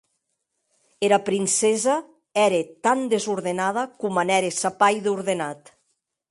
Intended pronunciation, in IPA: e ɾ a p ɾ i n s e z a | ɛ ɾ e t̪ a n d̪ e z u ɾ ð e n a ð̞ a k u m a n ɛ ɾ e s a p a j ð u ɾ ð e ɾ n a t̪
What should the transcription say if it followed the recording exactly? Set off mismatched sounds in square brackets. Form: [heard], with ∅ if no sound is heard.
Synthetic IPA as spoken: e ɾ a p ɾ i n s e z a | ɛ ɾ e t̪ a n d̪ e z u ɾ ð e n a ð̞ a k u m a n ɛ ɾ e s a p a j ð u ɾ ð e [∅] n a t̪

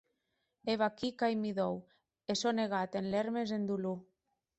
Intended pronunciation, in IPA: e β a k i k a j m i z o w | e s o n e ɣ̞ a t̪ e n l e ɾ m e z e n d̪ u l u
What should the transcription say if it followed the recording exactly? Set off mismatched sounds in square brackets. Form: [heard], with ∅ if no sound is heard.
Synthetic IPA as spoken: e β a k i k a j m i [ð] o w | e s o n e ɣ̞ a t̪ e n l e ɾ m e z e n d̪ u l u

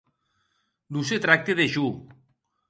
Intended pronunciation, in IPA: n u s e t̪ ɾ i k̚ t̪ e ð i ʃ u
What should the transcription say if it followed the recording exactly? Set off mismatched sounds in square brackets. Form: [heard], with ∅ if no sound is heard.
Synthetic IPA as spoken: n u s e t̪ ɾ [a] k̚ t̪ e ð [e] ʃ u

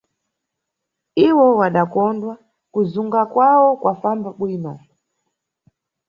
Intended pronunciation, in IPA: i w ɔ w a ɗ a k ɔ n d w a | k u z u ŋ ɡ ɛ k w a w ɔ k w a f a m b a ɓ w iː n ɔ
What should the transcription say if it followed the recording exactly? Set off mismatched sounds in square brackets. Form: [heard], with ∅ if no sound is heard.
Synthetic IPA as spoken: i w ɔ w a ɗ a k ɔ n d w a | k u z u ŋ ɡ [a] k w a w ɔ k w a f a m b a ɓ w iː n ɔ

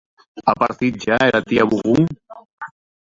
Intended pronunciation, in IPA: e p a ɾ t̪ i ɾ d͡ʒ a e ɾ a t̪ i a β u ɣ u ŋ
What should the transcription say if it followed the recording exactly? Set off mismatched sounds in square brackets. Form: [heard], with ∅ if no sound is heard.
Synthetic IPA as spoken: [a] p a ɾ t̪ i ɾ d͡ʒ a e ɾ a t̪ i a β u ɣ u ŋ

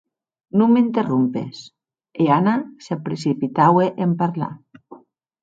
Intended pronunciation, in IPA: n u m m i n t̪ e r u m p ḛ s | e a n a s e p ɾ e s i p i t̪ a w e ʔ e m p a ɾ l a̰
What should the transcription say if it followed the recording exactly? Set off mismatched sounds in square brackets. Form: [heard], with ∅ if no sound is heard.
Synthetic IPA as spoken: n u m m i n t̪ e r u m p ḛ s | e a n a s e p ɾ e s i p i t̪ a w e ʔ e m p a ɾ l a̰

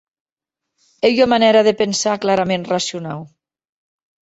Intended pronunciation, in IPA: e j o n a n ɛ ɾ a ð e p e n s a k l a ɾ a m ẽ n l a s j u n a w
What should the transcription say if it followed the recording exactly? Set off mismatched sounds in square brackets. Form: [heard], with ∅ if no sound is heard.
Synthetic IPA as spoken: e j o [m] a n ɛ ɾ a ð e p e n s a k l a ɾ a m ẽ n [r] a s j u n a w

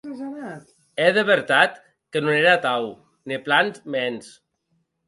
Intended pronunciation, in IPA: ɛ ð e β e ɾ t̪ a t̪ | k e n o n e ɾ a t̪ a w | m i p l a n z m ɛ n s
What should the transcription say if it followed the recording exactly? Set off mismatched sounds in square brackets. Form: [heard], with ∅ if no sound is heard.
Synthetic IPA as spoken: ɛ ð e β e ɾ t̪ a t̪ | k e n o n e ɾ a t̪ a w | [n] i p l a n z m ɛ n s

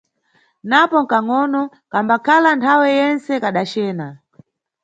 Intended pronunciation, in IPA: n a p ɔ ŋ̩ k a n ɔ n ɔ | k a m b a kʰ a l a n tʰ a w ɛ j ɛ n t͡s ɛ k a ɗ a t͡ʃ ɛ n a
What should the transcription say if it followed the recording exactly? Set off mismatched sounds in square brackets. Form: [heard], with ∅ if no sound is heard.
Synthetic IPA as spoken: n a p ɔ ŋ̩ k a [ŋ] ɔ n ɔ | k a m b a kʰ a l a n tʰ a w ɛ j ɛ n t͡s ɛ k a ɗ a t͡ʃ [ɛː] n a

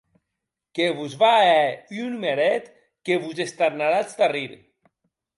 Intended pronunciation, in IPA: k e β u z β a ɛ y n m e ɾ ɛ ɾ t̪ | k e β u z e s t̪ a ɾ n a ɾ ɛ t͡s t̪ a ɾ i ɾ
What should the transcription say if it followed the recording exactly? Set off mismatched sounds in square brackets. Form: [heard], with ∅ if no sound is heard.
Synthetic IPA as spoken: k e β u z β a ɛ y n m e ɾ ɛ [∅] t̪ | k e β u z e s t̪ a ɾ n a ɾ [a] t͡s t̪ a [r] i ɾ

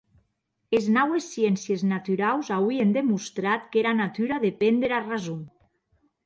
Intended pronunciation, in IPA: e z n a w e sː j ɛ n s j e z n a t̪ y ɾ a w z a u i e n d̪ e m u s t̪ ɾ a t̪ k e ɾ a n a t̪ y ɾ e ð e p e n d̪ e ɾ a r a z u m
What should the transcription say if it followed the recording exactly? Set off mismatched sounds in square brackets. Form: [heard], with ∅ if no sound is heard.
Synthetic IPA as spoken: e z n a w e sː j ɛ n s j e z n a t̪ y ɾ a w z a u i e n d̪ e m u s t̪ ɾ a t̪ k e ɾ a n a t̪ y ɾ [a] ð e p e n d̪ e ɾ a r a z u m

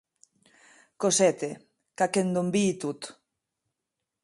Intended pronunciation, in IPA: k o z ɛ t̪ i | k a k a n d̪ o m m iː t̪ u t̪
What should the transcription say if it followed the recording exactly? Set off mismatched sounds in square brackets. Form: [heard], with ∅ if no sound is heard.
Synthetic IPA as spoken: k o [s] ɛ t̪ [e] | k a k [e] n d̪ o m [b] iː t̪ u t̪

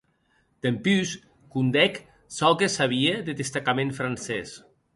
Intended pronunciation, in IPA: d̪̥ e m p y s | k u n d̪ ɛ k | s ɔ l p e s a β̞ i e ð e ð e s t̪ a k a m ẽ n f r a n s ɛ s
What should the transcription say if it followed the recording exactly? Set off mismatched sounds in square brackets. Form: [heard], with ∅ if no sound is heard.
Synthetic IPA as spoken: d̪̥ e m p y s | k u n d̪ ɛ k | s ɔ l [k] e s a β̞ i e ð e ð e s t̪ a k a m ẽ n f [ɾ] a n s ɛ s

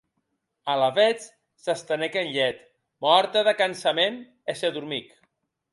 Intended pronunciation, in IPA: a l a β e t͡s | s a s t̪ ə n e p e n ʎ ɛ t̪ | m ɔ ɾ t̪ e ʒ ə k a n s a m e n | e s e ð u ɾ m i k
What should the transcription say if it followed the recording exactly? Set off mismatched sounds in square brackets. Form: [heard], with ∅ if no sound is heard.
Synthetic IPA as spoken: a l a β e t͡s | s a s t̪ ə n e [k] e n ʎ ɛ t̪ | m ɔ ɾ t̪ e [ð] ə k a n s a m e n | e s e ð u ɾ m i k

